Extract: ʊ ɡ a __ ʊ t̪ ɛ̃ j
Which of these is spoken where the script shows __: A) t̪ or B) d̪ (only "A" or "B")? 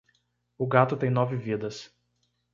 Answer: A